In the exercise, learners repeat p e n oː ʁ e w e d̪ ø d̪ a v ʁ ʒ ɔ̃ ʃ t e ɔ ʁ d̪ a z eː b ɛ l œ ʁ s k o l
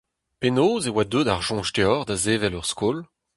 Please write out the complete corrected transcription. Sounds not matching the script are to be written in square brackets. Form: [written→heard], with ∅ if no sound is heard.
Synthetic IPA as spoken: p e n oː [ʁ→z] e w [e→a] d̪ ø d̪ a [v→∅] ʁ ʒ ɔ̃ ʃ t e ɔ ʁ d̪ a z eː [b→v] ɛ l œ ʁ s k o l